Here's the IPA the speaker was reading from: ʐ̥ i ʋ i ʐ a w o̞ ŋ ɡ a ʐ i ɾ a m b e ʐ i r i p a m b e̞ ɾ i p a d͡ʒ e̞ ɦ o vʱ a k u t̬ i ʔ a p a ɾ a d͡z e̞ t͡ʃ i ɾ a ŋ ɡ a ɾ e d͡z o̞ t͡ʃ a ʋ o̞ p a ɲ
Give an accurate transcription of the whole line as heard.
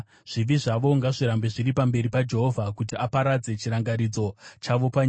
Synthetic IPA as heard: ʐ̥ i ʋ i ʐ a ʋ o̞ ŋ ɡ a ʐ i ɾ a m b e ʐ i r i p a m b e̞ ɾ i p a d͡ʒ e̞ ɦ o vʱ a k u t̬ i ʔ a p a ɾ a d͡z e̞ t͡ʃ i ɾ a ŋ ɡ a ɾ i d͡z o̞ t͡ʃ a ʋ o̞ p a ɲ